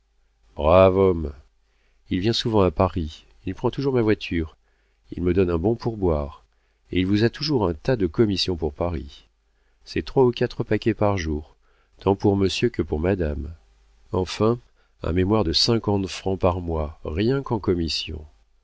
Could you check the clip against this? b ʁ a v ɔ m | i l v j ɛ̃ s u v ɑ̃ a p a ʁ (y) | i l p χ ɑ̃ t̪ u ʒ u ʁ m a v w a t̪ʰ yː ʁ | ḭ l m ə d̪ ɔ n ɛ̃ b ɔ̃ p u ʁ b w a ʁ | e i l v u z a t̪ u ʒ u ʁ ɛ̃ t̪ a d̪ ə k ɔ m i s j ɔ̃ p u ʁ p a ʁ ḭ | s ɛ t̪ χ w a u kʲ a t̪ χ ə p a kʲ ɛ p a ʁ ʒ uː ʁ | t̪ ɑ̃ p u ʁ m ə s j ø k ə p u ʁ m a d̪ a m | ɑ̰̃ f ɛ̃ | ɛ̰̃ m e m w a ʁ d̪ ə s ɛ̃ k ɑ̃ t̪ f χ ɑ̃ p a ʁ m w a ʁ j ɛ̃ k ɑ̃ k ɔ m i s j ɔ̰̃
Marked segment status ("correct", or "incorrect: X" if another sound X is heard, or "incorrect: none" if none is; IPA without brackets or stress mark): incorrect: i